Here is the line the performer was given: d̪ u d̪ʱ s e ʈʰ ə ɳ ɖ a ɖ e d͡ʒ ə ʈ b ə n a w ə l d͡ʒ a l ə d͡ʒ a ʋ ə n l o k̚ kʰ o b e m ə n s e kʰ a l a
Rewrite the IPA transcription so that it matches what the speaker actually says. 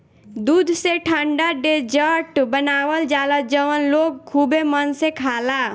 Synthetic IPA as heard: d̪ u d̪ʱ s e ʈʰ ə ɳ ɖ a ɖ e d͡ʒ ə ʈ b ə n a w ə l d͡ʒ a l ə d͡ʒ ə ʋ ə n l o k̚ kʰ u b e m ə n s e kʰ a l a